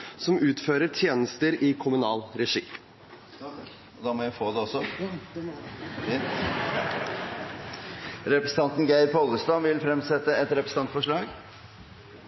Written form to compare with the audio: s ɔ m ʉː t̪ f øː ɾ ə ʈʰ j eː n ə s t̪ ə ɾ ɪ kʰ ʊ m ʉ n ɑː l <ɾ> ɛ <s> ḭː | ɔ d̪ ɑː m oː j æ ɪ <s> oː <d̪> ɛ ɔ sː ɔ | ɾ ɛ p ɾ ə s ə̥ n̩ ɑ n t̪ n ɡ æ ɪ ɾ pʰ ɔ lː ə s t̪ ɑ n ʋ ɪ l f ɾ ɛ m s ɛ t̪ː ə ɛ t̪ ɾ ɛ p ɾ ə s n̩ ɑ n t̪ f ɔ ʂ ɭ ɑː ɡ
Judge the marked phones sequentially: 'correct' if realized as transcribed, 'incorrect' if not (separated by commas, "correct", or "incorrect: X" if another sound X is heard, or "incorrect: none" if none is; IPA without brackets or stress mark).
correct, incorrect: ʂ, incorrect: f, correct